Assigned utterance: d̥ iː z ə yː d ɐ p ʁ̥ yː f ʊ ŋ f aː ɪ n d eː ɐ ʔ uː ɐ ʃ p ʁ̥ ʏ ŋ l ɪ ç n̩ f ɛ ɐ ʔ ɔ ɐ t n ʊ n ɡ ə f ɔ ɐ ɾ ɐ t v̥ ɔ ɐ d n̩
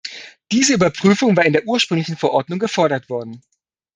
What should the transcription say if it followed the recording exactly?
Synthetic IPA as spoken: d̥ iː z ə yː b ɐ p ʁ̥ yː f ʊ ŋ v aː ɪ n d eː ɐ ʔ uː ɐ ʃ p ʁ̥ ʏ ŋ l ɪ ç n̩ f ɛ ɐ ʔ ɔ ɐ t n ʊ ŋ ɡ ə f ɔ ɐ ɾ ɐ t v̥ ɔ ɐ d n̩